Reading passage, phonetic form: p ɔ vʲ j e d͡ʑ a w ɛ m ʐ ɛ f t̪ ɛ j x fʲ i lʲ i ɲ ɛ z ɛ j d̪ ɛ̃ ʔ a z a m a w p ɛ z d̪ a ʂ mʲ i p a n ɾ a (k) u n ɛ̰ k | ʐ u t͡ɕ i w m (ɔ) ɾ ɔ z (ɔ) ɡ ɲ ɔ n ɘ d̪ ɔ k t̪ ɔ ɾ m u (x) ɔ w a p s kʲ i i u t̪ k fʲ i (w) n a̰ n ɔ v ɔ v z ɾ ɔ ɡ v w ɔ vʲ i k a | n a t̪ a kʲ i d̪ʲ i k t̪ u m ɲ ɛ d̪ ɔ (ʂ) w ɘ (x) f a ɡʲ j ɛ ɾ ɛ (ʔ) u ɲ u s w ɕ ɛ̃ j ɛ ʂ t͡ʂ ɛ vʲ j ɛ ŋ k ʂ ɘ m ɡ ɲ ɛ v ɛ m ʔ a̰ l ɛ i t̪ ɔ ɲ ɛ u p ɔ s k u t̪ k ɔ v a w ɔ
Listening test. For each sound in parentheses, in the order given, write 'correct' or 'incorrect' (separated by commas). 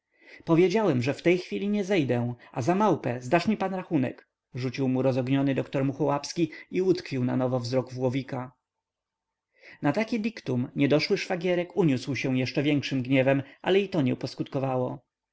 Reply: incorrect, incorrect, correct, correct, correct, correct, incorrect, incorrect